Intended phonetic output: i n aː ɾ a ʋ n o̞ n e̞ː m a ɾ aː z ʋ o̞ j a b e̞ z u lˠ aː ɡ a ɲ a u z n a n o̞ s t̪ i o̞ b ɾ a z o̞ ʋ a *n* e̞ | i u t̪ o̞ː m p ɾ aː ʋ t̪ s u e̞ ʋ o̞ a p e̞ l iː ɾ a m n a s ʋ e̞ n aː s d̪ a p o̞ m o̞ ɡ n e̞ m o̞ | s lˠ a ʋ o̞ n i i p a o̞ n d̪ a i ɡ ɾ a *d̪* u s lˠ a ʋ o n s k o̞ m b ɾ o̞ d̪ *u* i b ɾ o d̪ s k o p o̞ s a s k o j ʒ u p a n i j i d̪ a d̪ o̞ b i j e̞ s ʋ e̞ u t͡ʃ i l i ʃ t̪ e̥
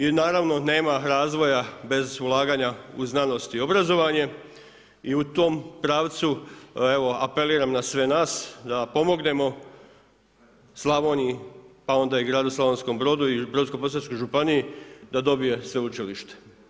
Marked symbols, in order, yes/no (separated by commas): no, yes, yes